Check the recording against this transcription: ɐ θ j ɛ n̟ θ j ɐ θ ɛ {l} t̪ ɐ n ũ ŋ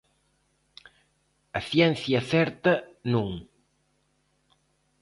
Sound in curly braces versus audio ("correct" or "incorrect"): incorrect